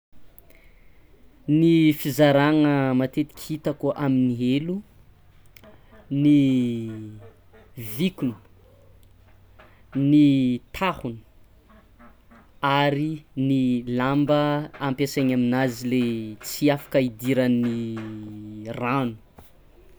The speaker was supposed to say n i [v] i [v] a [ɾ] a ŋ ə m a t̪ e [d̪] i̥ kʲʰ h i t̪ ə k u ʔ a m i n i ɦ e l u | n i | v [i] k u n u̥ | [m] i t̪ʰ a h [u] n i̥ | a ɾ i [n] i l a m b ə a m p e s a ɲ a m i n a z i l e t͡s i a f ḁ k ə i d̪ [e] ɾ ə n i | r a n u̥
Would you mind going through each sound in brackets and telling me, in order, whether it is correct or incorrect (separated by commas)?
incorrect, incorrect, correct, incorrect, correct, incorrect, correct, correct, incorrect